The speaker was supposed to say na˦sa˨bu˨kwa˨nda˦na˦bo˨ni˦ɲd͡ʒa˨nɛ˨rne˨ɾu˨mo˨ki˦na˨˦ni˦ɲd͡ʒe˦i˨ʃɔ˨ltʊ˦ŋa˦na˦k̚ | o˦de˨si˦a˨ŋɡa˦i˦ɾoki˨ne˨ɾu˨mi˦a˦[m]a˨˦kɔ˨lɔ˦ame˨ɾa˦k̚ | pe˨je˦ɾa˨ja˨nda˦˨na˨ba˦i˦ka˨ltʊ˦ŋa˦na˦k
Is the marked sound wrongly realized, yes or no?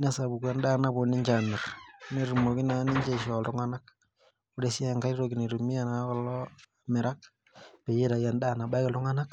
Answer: yes